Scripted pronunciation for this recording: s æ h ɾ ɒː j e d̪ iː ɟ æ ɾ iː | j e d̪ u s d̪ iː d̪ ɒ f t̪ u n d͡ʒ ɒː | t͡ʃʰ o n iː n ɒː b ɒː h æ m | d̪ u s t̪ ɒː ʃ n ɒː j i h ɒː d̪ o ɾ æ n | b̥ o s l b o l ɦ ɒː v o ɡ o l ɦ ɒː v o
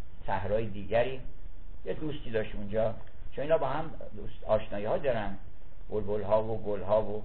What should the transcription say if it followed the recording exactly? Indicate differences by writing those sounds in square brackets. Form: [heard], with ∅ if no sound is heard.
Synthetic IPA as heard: s æ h ɾ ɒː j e d̪ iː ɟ æ ɾ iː | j e d̪ u s [t̪] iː d̪ ɒ [ʃ] t̪ u n d͡ʒ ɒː | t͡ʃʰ o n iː n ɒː b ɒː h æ m | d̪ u s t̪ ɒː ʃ n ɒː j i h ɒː d̪ [ɒ] ɾ æ n | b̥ o [∅] l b o l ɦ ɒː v o ɡ o l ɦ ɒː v o